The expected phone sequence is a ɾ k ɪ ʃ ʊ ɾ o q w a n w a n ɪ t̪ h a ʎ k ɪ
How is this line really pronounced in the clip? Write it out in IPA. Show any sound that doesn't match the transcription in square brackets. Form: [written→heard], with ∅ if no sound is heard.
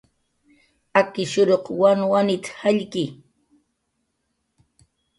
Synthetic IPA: a [ɾ→∅] k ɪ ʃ ʊ ɾ o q w a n w a n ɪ t̪ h a ʎ k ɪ